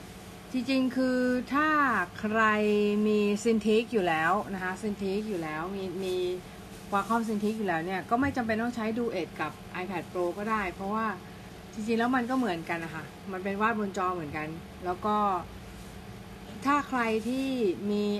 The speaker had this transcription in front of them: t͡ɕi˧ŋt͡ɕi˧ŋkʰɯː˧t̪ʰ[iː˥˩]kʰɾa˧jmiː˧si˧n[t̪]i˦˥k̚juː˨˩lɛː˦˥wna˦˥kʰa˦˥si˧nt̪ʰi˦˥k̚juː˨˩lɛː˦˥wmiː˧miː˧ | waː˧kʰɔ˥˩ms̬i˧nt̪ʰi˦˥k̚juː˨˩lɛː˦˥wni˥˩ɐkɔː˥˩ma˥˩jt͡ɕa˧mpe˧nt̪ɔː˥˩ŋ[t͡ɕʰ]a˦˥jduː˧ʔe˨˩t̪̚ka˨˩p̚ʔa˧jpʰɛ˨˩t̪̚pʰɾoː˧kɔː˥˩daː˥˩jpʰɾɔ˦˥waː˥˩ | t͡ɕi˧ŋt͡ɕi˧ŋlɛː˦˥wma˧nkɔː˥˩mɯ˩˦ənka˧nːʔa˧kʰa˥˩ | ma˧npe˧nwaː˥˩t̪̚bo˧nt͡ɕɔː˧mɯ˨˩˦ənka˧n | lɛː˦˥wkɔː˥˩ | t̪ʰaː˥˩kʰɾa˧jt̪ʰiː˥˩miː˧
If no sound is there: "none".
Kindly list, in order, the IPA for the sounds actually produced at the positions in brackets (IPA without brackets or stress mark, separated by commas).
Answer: aː˥˩, t̪ʰ, t͡ɕʰ